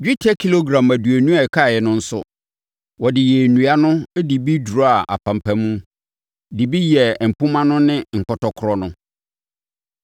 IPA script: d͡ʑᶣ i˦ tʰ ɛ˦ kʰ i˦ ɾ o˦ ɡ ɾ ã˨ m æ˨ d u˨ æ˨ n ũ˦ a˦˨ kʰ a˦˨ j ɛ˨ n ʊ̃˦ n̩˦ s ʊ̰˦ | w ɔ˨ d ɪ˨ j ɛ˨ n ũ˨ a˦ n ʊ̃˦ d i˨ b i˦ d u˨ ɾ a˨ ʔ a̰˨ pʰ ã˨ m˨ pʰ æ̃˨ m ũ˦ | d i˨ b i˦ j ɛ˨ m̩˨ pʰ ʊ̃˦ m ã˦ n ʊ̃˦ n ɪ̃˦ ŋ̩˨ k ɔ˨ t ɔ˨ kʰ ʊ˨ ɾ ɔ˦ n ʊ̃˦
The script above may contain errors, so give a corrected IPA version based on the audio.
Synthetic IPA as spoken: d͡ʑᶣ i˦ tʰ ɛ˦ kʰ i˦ l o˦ ɡ ɾ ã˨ m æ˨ d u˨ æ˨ n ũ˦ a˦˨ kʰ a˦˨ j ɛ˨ n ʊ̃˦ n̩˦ s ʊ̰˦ | w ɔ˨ d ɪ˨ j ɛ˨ n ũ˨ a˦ n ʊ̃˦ d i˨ b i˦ d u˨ ɾ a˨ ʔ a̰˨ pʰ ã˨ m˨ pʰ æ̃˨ m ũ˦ | d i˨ b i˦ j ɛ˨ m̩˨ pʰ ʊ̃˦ m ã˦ n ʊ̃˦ n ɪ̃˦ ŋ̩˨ k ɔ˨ t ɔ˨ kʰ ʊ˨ ɾ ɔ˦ n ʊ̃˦